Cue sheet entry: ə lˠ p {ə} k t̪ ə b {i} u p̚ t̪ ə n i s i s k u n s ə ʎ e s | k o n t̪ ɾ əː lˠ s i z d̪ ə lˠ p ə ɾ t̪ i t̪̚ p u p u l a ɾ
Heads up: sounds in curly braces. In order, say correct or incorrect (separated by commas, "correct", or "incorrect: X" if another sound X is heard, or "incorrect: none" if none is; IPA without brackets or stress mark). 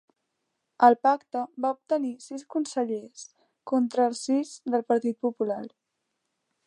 incorrect: a, incorrect: a